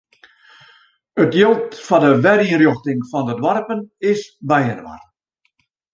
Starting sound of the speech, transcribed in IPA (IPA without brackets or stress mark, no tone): ə